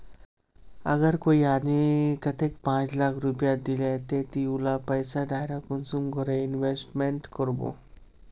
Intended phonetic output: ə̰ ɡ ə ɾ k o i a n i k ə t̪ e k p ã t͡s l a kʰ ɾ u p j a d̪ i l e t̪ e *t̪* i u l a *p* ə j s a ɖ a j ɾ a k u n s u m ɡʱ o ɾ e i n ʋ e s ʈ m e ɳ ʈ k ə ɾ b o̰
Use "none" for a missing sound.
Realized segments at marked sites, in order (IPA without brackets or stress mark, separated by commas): t̪, p